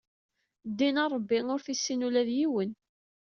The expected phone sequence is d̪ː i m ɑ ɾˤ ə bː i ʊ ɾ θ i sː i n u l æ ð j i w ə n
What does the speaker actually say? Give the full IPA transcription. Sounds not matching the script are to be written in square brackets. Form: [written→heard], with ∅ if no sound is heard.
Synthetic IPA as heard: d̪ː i [m→n] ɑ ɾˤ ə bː i ʊ ɾ θ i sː i n u l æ ð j i w ə n